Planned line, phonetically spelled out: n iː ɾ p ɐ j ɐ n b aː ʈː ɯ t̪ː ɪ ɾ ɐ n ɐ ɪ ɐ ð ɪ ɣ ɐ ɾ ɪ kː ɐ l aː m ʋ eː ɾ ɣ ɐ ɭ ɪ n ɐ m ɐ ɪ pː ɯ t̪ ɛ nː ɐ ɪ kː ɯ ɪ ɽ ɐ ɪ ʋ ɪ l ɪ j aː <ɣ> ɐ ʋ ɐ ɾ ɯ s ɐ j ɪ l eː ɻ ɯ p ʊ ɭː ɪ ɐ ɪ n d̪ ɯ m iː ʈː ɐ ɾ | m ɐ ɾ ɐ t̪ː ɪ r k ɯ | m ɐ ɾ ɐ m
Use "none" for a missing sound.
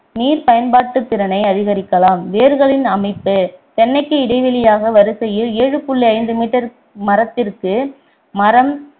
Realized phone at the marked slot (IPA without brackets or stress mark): ɣ